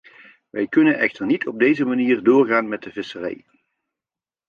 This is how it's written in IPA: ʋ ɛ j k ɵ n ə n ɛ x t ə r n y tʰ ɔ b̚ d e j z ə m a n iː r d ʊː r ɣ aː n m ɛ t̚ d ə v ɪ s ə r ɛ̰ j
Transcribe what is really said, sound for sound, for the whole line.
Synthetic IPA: ʋ ɛ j k ɵ n ə n ɛ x t ə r n i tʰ ɔ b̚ d e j z ə m a n iː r d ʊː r ɣ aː n m ɛ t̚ d ə v ɪ s ə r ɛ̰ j